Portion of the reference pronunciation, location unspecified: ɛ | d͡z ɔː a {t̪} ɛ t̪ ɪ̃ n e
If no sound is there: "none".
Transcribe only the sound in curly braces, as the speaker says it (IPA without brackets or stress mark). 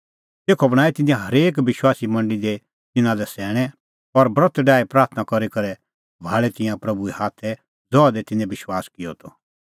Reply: d̪